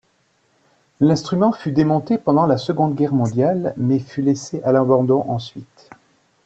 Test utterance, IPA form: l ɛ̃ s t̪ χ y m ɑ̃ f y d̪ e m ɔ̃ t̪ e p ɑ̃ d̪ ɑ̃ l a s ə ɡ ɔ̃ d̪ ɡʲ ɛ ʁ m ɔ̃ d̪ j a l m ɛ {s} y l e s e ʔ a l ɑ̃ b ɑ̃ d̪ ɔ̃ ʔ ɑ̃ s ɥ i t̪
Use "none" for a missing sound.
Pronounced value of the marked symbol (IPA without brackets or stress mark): f